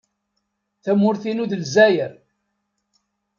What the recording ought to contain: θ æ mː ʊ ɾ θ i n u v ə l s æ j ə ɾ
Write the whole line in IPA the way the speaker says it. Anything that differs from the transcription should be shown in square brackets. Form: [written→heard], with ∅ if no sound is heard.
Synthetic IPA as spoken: θ æ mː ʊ ɾ θ i n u [v→ð] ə l [s→z] æ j ə ɾ